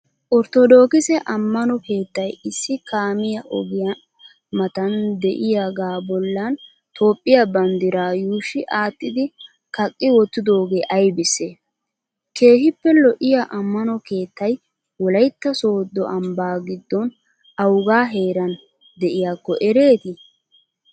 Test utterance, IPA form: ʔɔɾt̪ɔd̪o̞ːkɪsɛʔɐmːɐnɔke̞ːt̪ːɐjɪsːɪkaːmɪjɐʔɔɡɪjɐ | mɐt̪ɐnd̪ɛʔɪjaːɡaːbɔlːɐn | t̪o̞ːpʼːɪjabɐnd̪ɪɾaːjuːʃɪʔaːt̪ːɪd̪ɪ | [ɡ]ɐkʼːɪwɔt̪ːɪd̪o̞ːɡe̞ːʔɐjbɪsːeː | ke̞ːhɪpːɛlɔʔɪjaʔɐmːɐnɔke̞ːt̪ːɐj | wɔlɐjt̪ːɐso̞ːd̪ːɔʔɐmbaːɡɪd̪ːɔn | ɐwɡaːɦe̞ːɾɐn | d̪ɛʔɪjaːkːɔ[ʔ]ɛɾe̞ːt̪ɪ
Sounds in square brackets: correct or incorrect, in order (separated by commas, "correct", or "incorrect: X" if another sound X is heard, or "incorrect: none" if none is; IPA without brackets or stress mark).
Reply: incorrect: k, correct